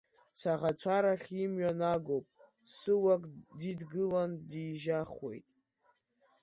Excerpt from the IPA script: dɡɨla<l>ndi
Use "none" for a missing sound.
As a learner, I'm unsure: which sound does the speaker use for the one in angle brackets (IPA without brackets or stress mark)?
none